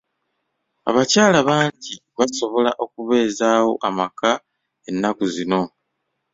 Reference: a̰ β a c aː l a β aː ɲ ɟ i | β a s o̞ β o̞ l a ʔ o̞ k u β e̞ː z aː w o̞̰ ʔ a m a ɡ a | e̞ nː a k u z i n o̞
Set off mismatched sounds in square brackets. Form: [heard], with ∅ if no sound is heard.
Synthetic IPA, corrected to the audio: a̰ β a c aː l a β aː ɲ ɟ i | β a s o̞ β o̞ l a ʔ o̞ k u β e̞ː z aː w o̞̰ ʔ a m a [k] a | e̞ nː a k u z i n o̞